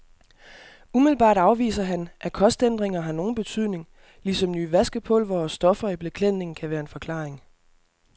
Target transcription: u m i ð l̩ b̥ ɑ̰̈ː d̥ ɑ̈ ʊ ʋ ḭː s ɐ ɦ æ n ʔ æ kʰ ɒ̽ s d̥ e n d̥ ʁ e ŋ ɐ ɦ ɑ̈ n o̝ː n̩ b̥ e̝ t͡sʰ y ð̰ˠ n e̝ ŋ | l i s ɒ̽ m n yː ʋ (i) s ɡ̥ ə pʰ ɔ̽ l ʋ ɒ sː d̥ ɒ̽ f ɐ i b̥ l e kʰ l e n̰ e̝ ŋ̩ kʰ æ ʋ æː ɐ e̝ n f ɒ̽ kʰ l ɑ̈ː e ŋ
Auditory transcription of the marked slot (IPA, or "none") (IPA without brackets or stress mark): æ